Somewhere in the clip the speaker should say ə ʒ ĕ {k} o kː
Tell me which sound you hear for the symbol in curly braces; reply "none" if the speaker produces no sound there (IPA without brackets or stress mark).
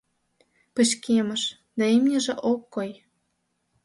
ʔ